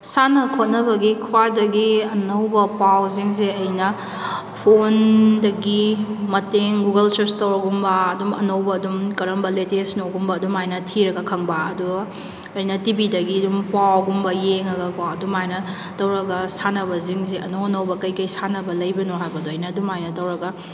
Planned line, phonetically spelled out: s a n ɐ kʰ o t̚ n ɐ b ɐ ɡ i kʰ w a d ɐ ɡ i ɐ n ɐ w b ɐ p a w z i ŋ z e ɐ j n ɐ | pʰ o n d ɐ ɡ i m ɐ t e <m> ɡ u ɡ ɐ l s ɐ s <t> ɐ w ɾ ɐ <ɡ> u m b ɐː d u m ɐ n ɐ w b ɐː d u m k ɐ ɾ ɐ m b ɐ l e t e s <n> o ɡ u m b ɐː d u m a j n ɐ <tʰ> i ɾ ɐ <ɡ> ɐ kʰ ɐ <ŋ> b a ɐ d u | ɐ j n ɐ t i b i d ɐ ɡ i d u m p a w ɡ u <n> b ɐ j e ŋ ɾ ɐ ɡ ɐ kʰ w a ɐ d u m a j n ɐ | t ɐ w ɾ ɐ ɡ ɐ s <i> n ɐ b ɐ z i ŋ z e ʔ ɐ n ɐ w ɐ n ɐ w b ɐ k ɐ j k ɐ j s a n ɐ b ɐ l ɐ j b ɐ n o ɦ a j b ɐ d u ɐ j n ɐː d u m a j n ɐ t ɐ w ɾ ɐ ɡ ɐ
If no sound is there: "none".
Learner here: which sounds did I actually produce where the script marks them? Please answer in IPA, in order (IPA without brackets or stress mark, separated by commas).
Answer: ŋ, t, ɡ, n, tʰ, ɡ, ŋ, m, a